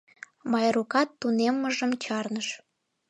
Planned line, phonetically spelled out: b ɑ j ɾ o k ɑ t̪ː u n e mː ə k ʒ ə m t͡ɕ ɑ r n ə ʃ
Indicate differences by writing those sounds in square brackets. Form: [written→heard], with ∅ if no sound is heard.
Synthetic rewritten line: [b→m] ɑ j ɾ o k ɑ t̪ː u n e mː ə [k→∅] ʒ ə m t͡ɕ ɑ r n ə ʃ